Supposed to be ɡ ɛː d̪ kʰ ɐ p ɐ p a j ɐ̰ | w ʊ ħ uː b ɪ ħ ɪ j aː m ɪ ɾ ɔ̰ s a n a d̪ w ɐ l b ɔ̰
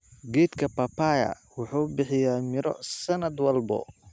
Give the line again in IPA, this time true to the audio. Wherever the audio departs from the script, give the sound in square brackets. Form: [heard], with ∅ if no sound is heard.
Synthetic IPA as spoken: ɡ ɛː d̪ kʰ ɐ p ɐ p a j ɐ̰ | w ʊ ħ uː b ɪ ħ ɪ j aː m ɪ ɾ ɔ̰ s [ɐ] n [ɐ] d̪ w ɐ l b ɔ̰